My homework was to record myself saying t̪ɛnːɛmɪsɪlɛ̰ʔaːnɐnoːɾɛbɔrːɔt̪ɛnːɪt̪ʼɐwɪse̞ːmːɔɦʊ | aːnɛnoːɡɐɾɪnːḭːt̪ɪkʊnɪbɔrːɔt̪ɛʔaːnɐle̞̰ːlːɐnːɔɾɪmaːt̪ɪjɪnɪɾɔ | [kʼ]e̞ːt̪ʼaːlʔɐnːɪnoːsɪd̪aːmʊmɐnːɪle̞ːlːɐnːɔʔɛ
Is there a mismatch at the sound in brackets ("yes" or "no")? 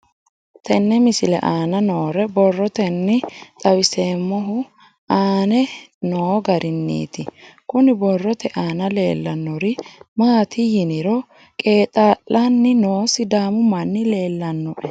no